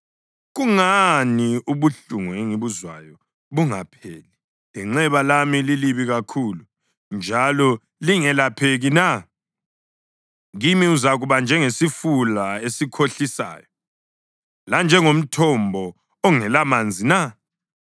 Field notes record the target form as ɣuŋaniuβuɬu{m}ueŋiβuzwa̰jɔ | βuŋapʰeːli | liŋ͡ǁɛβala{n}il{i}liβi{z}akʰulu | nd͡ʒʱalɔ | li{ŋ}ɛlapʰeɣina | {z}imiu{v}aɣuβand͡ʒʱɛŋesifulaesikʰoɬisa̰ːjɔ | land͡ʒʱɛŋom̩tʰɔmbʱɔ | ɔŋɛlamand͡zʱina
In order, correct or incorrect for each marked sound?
incorrect: ŋ, incorrect: m, correct, incorrect: ɣ, correct, incorrect: ɣ, incorrect: z

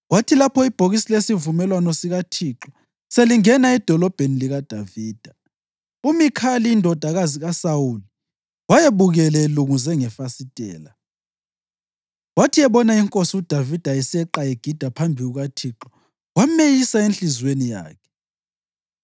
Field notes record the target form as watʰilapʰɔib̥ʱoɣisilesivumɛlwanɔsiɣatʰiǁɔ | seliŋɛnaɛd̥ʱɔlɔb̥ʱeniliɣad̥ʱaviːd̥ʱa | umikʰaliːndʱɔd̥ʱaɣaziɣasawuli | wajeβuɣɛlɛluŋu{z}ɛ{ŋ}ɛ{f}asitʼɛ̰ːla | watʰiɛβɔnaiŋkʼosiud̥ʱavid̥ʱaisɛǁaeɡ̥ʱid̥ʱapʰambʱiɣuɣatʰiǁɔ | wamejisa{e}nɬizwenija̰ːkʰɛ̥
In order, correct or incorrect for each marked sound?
correct, correct, correct, correct

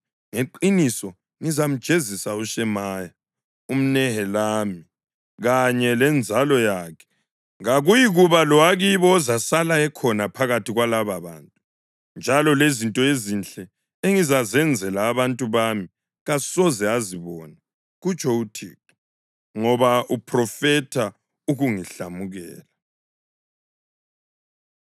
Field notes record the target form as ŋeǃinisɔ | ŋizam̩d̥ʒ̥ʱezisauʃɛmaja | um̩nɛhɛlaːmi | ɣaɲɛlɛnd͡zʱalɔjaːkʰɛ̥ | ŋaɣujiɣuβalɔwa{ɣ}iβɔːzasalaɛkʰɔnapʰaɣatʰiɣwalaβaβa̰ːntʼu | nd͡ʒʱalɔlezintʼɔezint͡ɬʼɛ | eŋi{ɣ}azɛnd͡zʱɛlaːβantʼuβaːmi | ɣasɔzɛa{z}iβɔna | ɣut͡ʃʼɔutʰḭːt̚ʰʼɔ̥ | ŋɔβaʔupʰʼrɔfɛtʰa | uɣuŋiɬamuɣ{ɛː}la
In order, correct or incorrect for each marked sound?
correct, incorrect: z, correct, correct

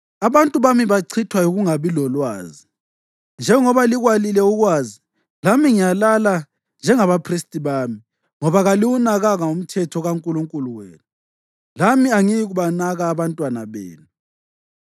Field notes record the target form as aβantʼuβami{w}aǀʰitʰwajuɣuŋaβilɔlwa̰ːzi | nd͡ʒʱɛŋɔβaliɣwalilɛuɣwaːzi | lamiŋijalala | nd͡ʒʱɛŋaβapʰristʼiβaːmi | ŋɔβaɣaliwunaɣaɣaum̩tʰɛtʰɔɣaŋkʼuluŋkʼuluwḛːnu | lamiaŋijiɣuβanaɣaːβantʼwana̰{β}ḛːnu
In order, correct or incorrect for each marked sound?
incorrect: β, correct

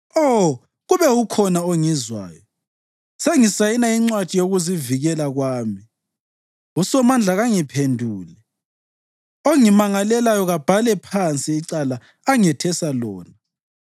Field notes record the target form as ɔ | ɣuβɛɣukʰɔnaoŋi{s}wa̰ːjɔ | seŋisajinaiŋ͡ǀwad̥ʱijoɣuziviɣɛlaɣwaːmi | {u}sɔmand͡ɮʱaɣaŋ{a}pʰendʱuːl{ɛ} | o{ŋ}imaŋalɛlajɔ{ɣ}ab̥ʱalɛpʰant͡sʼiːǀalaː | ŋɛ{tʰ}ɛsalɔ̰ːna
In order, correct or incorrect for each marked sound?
incorrect: z, correct, incorrect: i, correct, correct, correct, correct

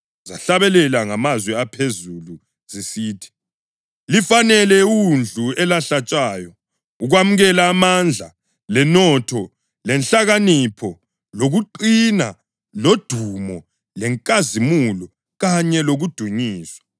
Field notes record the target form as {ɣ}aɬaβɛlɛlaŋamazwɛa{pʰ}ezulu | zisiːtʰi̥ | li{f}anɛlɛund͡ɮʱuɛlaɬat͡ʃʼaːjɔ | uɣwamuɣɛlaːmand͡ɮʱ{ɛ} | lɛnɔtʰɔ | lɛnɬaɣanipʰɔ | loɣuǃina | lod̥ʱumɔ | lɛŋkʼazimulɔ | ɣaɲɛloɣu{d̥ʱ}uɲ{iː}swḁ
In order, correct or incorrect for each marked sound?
incorrect: z, correct, correct, incorrect: a, correct, correct

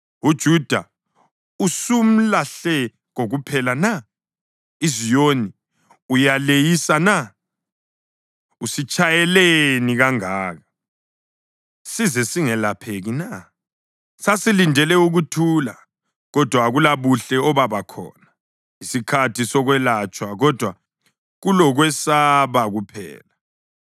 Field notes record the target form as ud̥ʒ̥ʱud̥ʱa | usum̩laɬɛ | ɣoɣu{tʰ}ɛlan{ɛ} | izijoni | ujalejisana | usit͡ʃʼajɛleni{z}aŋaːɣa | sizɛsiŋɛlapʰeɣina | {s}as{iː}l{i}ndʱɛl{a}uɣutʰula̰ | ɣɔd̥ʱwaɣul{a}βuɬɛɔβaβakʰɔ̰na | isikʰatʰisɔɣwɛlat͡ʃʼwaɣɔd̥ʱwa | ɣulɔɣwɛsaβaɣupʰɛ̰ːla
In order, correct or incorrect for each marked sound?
incorrect: pʰ, incorrect: a, incorrect: ɣ, correct, incorrect: i, correct, incorrect: ɛ, correct

